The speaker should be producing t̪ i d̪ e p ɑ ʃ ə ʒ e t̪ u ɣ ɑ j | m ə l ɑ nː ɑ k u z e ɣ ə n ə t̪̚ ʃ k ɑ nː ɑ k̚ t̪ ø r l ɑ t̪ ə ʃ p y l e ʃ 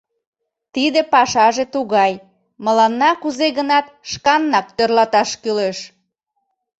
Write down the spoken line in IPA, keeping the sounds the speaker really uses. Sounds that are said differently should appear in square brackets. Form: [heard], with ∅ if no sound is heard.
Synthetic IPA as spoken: t̪ i d̪ e p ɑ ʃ [ɑ] ʒ e t̪ u ɣ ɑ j | m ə l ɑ nː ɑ k u z e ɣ ə n [ɑ] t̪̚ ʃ k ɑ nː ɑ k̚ t̪ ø r l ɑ t̪ [ɑ] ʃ [k] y l e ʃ